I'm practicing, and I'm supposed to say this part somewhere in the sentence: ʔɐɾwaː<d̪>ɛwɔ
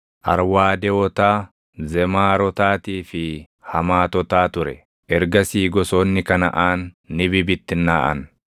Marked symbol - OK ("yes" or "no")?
yes